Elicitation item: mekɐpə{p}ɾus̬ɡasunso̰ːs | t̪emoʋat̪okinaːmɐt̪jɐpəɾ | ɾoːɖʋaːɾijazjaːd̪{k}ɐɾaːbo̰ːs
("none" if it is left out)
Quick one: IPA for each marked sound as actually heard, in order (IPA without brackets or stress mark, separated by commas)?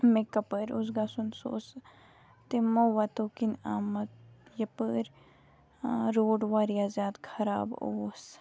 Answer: none, kʰ